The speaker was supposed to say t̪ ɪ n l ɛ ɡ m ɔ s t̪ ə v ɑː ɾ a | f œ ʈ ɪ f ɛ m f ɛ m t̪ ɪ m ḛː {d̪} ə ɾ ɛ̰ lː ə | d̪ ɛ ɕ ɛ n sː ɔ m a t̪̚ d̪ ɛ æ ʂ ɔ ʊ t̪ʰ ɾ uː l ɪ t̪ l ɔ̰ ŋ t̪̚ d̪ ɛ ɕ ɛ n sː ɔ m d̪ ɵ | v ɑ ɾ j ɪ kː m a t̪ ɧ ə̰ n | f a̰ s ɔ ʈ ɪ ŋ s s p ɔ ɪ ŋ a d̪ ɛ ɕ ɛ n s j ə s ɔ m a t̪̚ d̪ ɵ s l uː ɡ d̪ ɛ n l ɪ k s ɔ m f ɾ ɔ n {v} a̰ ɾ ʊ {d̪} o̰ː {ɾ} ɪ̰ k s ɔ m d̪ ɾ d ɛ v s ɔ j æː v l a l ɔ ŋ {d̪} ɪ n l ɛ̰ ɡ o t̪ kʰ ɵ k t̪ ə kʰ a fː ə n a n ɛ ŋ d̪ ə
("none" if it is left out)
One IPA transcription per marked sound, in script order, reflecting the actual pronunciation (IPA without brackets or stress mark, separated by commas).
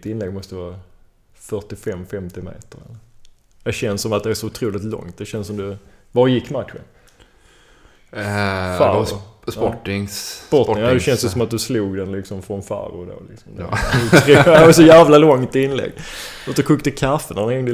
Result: t̪, f, d̪, l, t̪